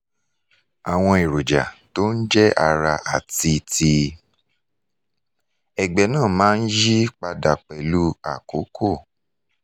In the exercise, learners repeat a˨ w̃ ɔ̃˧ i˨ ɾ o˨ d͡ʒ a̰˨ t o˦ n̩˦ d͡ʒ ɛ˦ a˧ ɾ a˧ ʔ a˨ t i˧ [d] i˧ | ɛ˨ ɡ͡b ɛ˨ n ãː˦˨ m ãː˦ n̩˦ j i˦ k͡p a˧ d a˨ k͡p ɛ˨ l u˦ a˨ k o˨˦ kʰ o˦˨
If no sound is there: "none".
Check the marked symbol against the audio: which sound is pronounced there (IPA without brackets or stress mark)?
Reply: t